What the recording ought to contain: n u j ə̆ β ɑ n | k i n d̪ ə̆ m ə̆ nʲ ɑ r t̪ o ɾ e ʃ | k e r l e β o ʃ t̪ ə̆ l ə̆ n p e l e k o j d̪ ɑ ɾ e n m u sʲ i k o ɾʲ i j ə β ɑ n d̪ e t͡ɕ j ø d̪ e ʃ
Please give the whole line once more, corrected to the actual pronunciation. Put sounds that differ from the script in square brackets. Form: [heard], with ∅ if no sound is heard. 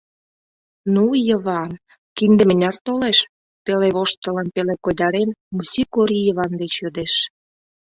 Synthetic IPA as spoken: n u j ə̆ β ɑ n | k i n d̪ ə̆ m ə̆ nʲ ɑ r t̪ o [l] e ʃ | [p] e [∅] l e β o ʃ t̪ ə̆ l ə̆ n p e l e k o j d̪ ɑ ɾ e n m u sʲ i k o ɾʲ i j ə β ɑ n d̪ e t͡ɕ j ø d̪ e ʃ